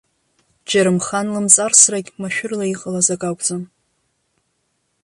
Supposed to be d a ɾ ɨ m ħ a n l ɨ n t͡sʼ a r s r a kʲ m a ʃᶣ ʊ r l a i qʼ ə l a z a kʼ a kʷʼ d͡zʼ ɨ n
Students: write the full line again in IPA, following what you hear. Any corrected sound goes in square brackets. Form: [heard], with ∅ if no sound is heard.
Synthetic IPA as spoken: [d͡ʒ] a ɾ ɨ m [χ] a n l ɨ [m] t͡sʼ a r s r a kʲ m a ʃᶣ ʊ r l a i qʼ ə l a z a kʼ a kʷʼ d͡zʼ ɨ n